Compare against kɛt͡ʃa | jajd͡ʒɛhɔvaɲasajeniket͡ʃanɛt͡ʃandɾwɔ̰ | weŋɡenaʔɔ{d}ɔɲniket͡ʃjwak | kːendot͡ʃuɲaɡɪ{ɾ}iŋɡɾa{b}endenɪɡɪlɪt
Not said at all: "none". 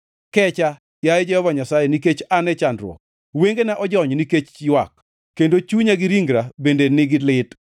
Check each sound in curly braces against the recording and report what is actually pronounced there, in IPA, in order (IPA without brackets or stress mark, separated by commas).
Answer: d͡ʒ, ɾ, b